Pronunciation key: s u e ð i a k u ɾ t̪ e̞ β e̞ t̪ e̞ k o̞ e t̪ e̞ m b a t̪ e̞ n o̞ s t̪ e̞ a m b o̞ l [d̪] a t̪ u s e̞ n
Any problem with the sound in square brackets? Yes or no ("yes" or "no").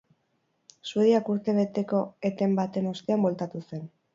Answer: yes